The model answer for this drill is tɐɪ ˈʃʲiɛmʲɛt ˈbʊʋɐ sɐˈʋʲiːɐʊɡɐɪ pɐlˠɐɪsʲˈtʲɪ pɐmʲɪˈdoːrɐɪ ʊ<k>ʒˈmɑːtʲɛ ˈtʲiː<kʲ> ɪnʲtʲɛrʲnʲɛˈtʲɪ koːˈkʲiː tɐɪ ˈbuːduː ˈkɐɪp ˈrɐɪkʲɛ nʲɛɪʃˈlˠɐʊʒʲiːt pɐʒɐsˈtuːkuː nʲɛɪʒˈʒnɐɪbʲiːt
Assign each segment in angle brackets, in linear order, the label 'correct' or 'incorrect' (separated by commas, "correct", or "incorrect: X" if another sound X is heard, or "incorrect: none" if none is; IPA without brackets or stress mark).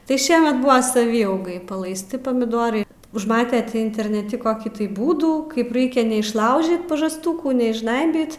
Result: incorrect: none, incorrect: none